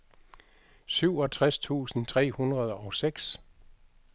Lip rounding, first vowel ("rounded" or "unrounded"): rounded